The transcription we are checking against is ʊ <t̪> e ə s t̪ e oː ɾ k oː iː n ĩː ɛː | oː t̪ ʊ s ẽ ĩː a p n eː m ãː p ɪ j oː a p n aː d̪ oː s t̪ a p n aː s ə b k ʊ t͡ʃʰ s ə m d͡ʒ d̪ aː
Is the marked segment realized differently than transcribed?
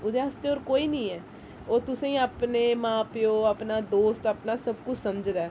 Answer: yes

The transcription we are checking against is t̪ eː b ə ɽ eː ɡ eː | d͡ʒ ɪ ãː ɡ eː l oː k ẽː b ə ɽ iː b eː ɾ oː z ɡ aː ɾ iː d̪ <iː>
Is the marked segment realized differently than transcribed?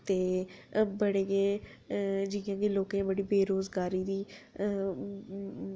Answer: no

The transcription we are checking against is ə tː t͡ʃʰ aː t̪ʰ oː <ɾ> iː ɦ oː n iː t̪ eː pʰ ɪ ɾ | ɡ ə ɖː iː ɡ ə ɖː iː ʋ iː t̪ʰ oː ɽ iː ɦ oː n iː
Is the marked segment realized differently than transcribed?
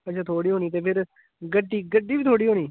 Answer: yes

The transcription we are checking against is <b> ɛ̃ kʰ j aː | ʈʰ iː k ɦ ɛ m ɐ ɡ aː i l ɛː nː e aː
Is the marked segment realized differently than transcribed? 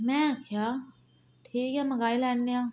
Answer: yes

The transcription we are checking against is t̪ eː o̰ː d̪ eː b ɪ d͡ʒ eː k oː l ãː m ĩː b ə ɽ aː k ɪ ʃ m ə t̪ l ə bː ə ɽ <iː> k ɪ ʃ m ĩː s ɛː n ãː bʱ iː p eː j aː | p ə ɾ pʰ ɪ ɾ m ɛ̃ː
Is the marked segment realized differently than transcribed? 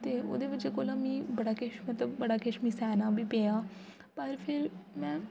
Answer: yes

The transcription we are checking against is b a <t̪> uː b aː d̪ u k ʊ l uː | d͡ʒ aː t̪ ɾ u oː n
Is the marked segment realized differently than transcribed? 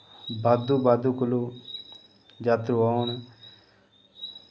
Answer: yes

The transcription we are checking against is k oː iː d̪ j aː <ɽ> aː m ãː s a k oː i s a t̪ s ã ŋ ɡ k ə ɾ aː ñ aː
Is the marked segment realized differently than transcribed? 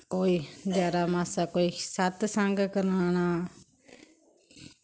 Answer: yes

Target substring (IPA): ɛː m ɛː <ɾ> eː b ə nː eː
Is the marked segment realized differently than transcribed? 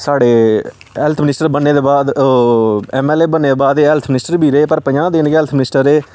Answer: yes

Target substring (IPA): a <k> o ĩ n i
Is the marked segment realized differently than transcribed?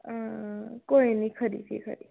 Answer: no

